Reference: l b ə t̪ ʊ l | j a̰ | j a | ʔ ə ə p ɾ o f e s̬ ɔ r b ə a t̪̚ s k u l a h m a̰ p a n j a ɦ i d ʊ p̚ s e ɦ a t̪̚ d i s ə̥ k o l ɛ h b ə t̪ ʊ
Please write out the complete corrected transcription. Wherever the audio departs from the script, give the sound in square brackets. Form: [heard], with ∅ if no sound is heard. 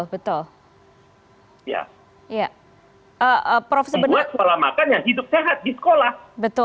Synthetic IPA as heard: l b ə t̪ ʊ l | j a̰ | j a | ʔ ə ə p ɾ o f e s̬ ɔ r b ə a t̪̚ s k [o] l a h m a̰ [k] a n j a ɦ i d ʊ p̚ s e ɦ a t̪̚ d i s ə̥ k o l [a] h b ə t̪ ʊ